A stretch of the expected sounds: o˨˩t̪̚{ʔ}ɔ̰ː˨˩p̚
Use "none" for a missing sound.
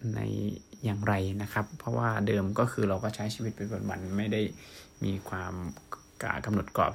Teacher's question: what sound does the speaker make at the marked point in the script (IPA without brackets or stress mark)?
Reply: k